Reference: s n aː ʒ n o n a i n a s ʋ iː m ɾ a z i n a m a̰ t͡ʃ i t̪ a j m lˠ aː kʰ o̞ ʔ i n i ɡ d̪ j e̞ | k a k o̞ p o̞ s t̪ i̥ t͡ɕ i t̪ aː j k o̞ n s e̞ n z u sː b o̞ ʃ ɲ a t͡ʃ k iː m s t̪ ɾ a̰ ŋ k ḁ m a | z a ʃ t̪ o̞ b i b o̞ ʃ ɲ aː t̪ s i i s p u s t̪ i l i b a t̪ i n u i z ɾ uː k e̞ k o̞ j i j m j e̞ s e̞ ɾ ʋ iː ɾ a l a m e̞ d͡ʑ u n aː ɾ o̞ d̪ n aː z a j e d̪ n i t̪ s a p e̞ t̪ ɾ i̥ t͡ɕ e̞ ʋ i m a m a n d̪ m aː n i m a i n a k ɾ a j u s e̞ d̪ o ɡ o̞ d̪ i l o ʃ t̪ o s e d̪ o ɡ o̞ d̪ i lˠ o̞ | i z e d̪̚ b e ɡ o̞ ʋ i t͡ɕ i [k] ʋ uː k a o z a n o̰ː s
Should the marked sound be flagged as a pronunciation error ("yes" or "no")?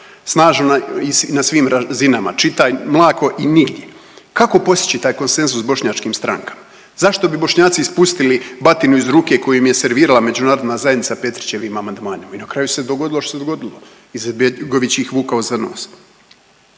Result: yes